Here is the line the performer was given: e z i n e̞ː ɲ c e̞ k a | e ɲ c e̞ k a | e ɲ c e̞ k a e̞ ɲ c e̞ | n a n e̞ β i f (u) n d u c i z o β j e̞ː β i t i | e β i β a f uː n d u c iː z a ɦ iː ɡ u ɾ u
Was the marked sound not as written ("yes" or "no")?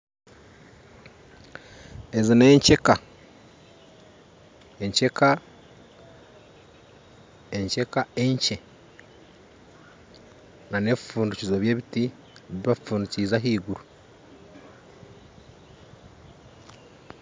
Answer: yes